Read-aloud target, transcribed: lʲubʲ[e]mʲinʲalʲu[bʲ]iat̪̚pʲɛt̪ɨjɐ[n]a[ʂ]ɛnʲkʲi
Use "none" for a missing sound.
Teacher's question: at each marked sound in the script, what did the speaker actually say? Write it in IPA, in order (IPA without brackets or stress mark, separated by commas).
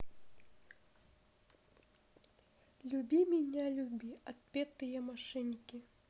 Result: i, bʲ, m, ʂ